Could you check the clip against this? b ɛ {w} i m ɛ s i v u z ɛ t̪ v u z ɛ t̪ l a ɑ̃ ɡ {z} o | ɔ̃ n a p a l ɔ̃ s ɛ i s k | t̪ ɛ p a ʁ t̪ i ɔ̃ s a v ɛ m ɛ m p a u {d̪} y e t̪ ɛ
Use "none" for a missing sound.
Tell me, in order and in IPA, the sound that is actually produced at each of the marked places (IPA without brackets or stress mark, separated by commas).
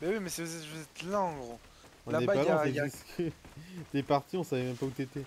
w, ʁ, t̪